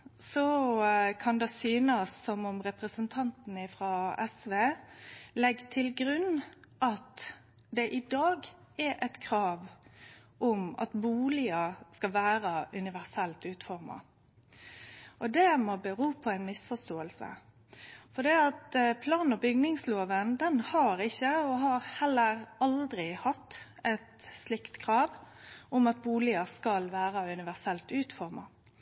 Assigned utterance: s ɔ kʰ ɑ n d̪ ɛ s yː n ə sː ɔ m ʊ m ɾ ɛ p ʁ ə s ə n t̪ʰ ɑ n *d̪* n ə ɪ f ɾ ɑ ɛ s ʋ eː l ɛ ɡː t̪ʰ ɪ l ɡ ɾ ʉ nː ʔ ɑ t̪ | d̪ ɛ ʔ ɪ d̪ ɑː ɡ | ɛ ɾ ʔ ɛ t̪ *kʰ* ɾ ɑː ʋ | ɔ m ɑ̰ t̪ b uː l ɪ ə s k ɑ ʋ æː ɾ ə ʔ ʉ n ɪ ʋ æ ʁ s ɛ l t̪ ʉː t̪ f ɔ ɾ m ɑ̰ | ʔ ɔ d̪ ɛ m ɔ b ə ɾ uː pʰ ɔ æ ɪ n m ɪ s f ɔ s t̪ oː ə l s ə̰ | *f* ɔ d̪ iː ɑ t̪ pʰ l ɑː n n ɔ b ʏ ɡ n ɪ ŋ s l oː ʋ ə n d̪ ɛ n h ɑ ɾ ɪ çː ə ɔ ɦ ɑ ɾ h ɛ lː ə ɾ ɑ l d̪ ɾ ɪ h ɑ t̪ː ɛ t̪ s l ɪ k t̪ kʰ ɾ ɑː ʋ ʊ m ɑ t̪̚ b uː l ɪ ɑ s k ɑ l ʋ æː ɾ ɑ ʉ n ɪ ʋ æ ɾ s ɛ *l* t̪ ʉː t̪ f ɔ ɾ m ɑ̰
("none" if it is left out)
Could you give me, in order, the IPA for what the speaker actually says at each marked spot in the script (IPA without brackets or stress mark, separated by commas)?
t̪, kʰ, f, l